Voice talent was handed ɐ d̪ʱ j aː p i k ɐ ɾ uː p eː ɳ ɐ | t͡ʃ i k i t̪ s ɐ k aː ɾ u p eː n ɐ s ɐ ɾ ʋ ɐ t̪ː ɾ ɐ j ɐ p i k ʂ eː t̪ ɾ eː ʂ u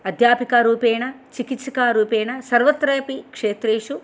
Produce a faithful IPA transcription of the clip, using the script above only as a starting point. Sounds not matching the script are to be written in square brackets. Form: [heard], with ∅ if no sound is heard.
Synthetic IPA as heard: ɐ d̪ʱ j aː p i k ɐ ɾ uː p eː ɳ ɐ | t͡ʃ i k i t̪ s ɐ k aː ɾ [uː] p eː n ɐ s ɐ ɾ ʋ ɐ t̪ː ɾ ɐ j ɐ p i k ʂ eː t̪ ɾ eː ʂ u